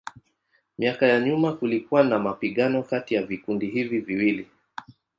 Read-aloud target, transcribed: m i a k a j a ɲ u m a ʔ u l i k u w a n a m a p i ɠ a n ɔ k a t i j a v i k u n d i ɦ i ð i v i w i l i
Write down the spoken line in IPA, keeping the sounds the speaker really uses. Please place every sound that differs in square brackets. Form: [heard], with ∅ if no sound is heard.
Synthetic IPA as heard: m i a k a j a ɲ u m a [k] u l i k u w a n a m a p i ɠ a n ɔ k a t i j a v i k u n d i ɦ i [v] i v i w i l i

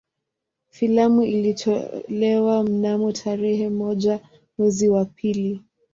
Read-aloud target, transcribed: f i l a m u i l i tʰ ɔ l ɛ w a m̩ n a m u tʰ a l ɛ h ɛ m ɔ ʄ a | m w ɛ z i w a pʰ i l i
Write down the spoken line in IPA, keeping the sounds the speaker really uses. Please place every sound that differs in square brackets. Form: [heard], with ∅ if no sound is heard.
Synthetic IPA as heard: f i l a m u i l i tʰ ɔ l ɛ w a m̩ n a m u tʰ a [ɾ] ɛ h ɛ m ɔ ʄ a | m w ɛ z i w a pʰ i l i

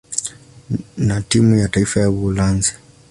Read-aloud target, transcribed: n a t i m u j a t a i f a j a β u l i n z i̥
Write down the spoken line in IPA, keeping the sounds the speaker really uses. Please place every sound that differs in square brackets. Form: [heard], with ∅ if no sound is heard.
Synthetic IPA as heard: n a t i m u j a t a i f a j a β u l [a] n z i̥

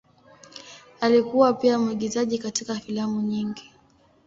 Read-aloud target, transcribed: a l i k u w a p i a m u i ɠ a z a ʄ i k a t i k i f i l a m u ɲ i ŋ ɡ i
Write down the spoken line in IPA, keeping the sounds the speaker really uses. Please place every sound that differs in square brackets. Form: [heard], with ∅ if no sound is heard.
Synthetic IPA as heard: a l i k u w a p i a m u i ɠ [i] z a ʄ i k a t i k [a] f i l a m u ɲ i ŋ ɡ i

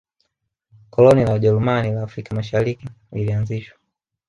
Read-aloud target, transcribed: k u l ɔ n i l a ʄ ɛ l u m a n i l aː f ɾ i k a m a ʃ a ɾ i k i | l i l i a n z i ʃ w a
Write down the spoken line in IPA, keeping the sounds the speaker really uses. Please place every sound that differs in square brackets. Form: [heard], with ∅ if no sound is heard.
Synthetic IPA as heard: k [ɔ] l ɔ n i l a ʄ ɛ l u m a n i l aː f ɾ i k a m a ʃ a ɾ i k i | l i l i a n z i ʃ w a

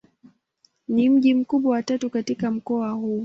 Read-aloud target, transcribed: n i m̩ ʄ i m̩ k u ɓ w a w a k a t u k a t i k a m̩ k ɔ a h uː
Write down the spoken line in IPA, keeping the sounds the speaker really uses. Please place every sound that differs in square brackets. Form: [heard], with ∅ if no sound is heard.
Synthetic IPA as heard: n i m̩ ʄ i m̩ k u ɓ w a w a [t] a t u k a t i k a m̩ k ɔ a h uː

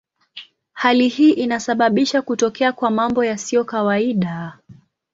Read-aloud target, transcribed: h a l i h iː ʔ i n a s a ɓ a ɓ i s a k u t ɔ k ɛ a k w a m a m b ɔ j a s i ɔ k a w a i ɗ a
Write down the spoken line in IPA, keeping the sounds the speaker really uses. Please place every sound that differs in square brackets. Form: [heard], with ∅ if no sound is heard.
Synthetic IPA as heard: h a l i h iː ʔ i n a s a ɓ a ɓ i [ʃ] a k u t ɔ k ɛ a k w a m a m b ɔ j a s i ɔ k a w a i ɗ a

